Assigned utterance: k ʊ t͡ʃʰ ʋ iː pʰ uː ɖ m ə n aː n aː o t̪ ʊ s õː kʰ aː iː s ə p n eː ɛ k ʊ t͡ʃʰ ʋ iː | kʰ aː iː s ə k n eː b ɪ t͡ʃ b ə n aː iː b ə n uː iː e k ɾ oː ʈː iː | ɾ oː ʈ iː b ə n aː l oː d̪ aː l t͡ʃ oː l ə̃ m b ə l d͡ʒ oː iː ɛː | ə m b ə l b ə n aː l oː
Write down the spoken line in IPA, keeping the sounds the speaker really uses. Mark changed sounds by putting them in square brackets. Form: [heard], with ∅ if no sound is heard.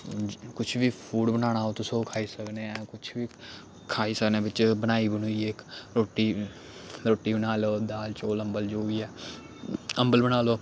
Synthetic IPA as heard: k ʊ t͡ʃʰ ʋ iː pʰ uː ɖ [b] ə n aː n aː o t̪ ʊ s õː kʰ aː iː s ə [k] n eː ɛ k ʊ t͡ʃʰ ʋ iː | kʰ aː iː s ə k n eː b ɪ t͡ʃ b ə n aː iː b ə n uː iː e k ɾ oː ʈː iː | ɾ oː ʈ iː b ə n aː l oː d̪ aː l t͡ʃ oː l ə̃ m b ə l d͡ʒ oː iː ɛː | ə m b ə l b ə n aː l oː

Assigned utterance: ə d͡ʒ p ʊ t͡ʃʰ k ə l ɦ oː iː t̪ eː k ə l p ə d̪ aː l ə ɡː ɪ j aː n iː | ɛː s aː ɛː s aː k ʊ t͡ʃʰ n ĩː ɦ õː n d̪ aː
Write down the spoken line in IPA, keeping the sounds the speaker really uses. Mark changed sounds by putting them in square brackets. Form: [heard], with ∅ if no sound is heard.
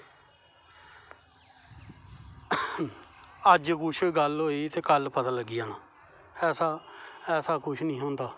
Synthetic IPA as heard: ə d͡ʒ [k] ʊ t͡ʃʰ [ɡ] ə l ɦ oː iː t̪ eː k ə l p ə [t̪] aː l ə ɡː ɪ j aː n [aː] | ɛː s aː ɛː s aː k ʊ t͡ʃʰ n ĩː ɦ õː n d̪ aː

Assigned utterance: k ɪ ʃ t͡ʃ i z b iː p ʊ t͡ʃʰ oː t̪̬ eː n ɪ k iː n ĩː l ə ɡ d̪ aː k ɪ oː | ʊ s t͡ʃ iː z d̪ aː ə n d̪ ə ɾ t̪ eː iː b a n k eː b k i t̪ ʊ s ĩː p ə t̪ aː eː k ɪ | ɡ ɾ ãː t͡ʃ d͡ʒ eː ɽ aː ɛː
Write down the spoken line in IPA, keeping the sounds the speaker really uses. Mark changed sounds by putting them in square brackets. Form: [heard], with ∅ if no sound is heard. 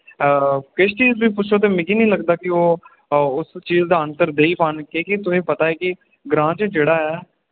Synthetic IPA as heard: k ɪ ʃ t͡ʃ [iː] z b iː p ʊ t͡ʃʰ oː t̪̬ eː [m] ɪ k iː n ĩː l ə ɡ d̪ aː k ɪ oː | ʊ s t͡ʃ iː z d̪ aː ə n [t̪] ə ɾ [d̪] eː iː [p] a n k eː [∅] k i t̪ ʊ s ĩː p ə t̪ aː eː k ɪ | ɡ ɾ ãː t͡ʃ d͡ʒ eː ɽ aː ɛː

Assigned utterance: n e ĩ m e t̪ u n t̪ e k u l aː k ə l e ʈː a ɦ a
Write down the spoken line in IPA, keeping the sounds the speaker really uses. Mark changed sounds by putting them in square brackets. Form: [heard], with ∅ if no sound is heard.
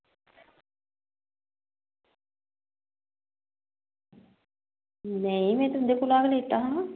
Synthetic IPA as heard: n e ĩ m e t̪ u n [d̪] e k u l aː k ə l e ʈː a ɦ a

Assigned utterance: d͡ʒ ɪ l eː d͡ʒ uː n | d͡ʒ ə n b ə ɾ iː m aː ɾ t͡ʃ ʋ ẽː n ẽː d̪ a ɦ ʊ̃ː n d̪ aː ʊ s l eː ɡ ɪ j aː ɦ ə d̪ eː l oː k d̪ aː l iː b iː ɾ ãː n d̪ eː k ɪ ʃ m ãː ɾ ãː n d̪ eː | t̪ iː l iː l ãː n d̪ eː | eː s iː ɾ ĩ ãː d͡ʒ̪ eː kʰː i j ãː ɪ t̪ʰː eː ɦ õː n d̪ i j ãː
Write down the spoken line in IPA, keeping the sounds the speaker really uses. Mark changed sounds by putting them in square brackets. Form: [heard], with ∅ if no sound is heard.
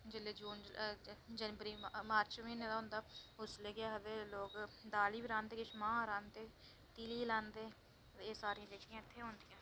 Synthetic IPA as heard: d͡ʒ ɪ l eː d͡ʒ uː n | d͡ʒ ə n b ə ɾ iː m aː ɾ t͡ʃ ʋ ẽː n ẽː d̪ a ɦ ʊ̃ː n d̪ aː ʊ s l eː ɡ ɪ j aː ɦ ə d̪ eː l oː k d̪ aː l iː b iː ɾ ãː n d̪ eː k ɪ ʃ m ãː ɾ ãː n d̪ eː | t̪ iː l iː l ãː n d̪ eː | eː s [aː] ɾ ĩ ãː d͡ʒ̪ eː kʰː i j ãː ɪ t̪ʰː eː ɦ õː n d̪ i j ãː

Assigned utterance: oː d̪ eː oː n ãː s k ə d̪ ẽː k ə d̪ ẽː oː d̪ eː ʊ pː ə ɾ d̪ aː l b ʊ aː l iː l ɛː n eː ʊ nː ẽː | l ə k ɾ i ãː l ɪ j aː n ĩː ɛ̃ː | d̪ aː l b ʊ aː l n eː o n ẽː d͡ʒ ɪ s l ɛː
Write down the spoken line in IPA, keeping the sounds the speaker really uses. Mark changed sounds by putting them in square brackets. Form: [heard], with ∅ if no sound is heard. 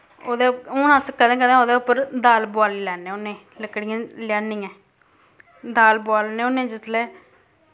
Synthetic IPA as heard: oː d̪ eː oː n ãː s k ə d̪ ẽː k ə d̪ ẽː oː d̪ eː ʊ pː ə ɾ d̪ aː l b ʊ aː l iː l ɛː n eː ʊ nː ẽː | l ə k [ɽ] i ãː l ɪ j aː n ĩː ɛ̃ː | d̪ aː l b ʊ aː l n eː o n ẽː d͡ʒ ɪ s l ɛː

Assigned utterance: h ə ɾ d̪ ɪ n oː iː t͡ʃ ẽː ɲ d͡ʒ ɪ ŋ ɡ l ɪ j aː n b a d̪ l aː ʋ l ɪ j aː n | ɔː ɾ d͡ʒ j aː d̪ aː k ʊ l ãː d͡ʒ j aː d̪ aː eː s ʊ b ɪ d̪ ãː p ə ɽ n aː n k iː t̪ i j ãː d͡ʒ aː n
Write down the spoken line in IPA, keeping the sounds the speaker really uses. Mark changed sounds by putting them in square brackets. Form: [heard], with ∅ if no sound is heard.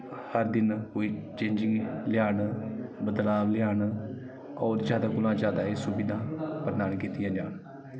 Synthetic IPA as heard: h ə ɾ d̪ ɪ n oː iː t͡ʃ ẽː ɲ d͡ʒ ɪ ŋ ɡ l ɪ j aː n b [ə] d̪ l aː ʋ l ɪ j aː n | ɔː ɾ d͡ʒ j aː d̪ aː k ʊ l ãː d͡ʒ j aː d̪ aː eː s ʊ b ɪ d̪ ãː p ə [ɾ] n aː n k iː t̪ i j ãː d͡ʒ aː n

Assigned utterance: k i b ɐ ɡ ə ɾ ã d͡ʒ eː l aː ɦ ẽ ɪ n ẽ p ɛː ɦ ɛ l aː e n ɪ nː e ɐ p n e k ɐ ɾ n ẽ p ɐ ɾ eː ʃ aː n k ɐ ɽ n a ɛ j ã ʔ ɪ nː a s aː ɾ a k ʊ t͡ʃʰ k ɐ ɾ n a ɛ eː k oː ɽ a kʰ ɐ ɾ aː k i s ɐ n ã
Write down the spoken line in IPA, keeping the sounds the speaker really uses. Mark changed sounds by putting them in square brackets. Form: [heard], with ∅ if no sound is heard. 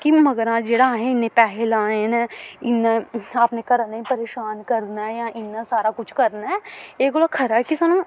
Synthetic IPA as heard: k i [m] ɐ ɡ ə ɾ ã d͡ʒ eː [ɽ] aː ɦ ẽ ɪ n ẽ p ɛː ɦ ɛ l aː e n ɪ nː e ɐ p n e k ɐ ɾ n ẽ p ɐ ɾ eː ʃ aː n k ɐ [ɾ] n a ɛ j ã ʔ ɪ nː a s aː ɾ a k ʊ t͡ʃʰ k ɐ ɾ n a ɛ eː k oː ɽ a kʰ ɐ ɾ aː k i s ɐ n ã

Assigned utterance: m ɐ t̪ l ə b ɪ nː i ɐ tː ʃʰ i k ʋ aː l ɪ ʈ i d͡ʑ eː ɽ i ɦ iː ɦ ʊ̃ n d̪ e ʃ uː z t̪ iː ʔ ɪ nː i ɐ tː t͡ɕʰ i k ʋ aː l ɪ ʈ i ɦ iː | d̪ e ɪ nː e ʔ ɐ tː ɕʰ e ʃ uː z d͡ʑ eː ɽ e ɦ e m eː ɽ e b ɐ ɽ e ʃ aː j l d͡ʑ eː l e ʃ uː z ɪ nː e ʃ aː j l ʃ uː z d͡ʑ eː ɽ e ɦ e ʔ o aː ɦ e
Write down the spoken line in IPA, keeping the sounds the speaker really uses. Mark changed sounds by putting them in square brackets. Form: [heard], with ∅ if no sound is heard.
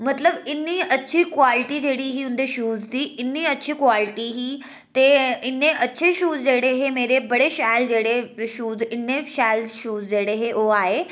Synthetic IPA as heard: m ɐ t̪ l ə b ɪ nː i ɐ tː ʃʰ i k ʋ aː l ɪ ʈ i d͡ʑ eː ɽ i ɦ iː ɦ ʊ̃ n d̪ e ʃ uː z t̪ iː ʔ ɪ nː i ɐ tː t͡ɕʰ i k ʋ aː l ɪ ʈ i ɦ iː | [t̪] e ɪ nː e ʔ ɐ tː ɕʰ e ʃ uː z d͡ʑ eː ɽ e ɦ e m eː [ɾ] e b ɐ ɽ e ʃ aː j l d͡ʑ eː [ɽ] e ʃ uː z ɪ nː e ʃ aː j l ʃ uː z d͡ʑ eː ɽ e ɦ e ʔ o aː ɦ e

